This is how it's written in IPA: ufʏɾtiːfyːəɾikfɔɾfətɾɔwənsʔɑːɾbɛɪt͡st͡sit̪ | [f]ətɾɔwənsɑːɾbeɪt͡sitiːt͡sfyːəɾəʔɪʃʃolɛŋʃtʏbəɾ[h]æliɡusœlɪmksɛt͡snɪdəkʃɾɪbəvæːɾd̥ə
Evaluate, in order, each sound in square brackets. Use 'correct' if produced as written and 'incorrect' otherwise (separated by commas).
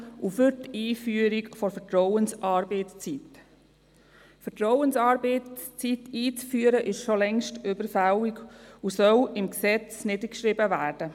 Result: correct, incorrect